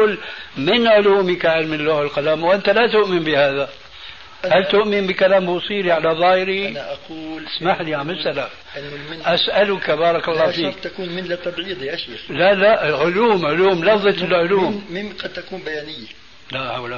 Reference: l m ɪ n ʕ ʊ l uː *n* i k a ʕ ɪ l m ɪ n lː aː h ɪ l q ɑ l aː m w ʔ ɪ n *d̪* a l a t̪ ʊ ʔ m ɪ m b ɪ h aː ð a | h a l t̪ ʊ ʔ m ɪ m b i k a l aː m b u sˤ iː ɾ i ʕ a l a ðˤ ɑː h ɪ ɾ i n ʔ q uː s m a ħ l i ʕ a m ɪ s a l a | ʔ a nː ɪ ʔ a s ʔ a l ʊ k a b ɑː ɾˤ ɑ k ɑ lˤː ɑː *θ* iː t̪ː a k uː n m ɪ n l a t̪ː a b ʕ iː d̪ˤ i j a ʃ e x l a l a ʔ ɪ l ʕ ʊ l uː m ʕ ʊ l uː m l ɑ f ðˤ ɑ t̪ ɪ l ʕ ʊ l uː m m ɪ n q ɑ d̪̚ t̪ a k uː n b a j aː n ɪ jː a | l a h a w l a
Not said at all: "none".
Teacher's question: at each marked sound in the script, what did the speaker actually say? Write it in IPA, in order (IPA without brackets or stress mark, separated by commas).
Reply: m, t̪, f